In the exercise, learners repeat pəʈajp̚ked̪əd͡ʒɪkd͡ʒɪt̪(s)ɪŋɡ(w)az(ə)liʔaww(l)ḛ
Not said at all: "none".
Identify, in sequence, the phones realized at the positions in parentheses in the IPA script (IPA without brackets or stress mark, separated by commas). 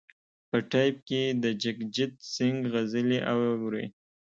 s, ɣ, ə, ɾ